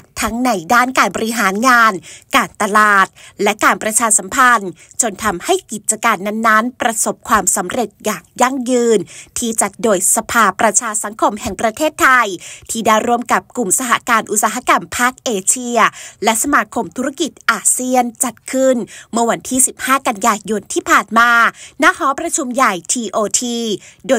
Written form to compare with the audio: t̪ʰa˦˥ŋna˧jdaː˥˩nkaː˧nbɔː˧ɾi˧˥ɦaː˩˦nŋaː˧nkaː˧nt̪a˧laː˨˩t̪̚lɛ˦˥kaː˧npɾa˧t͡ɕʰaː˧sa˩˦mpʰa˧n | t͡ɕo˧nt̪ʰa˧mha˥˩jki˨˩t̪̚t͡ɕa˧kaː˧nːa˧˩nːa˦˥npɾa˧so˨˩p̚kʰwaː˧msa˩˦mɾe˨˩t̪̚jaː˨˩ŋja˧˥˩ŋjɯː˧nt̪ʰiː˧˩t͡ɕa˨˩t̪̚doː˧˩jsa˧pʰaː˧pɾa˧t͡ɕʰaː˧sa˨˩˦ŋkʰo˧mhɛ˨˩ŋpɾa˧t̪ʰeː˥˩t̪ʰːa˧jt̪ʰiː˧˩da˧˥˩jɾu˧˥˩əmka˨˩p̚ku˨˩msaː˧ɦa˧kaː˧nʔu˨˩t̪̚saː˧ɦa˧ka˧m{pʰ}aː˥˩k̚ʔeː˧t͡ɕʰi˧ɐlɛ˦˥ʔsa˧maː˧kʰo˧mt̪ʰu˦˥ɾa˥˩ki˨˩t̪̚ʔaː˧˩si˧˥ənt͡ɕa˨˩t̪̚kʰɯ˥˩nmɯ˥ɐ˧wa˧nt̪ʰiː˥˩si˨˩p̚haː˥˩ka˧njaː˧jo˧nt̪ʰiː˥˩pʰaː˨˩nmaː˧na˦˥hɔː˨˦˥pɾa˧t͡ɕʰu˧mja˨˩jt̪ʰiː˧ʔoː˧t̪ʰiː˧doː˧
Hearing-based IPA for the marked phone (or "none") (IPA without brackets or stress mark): pʰ